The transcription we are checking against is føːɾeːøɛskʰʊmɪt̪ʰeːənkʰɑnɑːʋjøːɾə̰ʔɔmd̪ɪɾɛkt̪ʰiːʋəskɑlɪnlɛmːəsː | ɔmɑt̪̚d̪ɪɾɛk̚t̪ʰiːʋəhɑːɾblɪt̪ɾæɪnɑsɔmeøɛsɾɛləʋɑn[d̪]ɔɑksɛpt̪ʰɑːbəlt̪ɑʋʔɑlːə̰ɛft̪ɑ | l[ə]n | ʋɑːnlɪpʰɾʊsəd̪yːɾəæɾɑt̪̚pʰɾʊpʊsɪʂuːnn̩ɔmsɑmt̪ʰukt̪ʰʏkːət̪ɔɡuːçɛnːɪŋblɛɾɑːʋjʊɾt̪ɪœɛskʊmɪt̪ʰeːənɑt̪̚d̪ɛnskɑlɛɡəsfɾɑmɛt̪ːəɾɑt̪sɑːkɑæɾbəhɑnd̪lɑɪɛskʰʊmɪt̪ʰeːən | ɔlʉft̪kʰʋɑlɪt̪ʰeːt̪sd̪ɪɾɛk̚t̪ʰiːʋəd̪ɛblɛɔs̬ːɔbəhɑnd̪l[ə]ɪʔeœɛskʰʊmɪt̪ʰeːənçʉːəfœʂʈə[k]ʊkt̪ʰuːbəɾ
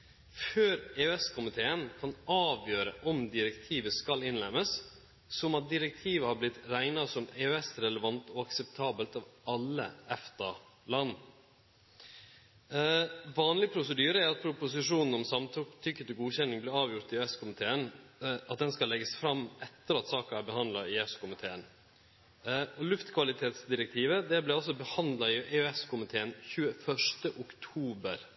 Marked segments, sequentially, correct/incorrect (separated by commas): incorrect, incorrect, incorrect, incorrect